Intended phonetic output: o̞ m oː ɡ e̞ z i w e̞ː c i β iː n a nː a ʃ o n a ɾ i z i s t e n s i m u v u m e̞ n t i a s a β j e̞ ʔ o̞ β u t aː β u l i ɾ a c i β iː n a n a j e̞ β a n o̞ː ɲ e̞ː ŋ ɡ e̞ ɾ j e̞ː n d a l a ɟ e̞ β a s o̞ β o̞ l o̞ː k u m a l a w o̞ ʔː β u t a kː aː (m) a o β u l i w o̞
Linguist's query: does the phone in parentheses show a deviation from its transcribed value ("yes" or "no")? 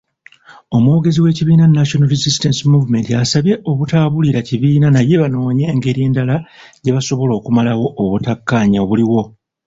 yes